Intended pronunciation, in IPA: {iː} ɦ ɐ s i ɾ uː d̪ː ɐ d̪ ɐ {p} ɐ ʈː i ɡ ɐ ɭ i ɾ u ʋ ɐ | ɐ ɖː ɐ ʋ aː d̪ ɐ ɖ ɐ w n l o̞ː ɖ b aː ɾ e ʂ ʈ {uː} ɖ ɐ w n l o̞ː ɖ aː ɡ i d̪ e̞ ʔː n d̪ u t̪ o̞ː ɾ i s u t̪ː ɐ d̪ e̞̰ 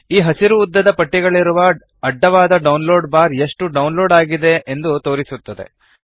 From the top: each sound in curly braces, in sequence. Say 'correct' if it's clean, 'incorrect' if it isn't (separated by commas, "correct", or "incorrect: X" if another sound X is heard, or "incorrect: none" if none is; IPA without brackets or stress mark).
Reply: correct, correct, incorrect: u